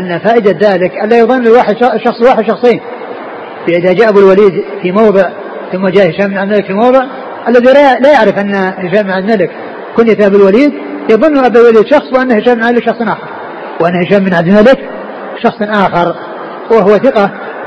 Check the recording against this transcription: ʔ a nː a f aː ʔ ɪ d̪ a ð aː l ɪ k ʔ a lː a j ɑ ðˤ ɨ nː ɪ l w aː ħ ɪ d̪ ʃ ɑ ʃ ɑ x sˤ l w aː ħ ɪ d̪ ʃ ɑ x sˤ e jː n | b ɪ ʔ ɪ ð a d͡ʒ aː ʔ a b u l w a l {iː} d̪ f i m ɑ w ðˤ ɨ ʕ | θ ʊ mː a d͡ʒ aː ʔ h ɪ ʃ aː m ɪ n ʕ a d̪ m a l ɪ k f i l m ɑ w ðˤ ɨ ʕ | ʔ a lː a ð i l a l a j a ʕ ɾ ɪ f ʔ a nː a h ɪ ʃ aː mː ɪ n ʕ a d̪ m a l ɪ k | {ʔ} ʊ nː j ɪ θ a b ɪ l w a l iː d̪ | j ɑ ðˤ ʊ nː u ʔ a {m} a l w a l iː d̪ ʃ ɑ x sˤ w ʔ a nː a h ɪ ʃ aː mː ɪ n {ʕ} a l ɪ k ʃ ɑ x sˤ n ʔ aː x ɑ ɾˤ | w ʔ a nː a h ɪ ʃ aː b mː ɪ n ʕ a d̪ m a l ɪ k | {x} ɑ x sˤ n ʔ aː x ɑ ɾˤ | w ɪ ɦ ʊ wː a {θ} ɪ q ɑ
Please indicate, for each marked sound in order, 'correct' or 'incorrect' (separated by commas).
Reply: correct, incorrect, incorrect, correct, incorrect, correct